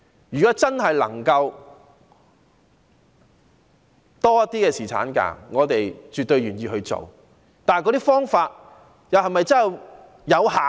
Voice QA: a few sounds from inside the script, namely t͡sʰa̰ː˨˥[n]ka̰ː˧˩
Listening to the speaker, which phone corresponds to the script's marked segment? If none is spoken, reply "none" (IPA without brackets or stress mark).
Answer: n